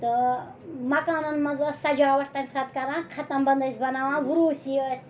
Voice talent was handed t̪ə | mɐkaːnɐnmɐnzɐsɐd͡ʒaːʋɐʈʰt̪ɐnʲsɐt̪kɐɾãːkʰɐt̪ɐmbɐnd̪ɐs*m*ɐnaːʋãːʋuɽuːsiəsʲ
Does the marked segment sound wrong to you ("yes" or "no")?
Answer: yes